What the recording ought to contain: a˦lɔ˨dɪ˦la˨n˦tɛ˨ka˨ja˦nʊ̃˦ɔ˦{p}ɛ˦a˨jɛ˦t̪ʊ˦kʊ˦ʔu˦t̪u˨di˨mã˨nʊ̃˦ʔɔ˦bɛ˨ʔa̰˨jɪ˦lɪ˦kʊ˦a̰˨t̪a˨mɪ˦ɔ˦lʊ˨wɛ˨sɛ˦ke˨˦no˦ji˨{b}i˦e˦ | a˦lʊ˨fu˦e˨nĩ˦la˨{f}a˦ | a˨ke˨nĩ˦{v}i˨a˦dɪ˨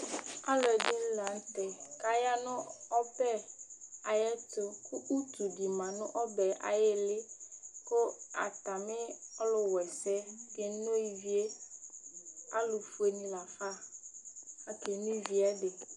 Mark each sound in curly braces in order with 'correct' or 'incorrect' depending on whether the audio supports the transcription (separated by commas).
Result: correct, incorrect, correct, correct